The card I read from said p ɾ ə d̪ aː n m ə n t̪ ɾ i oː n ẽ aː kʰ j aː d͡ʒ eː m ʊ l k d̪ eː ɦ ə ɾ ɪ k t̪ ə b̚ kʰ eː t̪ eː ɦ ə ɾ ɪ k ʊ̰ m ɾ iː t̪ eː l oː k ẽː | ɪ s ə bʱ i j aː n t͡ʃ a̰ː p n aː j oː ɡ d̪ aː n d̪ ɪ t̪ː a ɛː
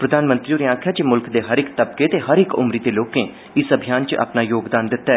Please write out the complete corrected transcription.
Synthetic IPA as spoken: p ɾ ə d̪ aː n m ə n t̪ ɾ i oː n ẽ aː kʰ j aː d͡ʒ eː m ʊ l k d̪ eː ɦ ə ɾ ɪ k t̪ ə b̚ k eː t̪ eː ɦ ə ɾ ɪ k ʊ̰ m ɾ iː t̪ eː l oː k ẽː | ɪ s ə bʱ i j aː n t͡ʃ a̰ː p n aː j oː ɡ d̪ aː n d̪ ɪ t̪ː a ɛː